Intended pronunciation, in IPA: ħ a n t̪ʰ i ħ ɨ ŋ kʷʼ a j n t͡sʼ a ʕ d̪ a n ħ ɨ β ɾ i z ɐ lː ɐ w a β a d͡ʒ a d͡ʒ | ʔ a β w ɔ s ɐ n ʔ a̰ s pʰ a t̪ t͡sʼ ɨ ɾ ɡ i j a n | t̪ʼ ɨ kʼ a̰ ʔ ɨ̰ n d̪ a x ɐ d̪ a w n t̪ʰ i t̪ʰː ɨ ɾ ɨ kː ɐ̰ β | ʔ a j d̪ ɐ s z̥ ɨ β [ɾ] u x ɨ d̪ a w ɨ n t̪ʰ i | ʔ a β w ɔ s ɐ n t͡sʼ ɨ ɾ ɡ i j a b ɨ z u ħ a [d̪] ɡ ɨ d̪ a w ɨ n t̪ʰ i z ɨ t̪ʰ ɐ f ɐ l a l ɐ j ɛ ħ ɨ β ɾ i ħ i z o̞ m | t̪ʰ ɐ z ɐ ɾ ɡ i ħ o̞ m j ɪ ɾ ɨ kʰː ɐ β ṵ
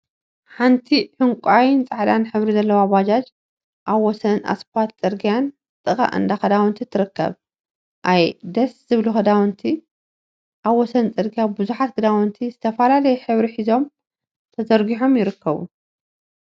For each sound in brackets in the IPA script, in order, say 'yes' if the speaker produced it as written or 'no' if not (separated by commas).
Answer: no, no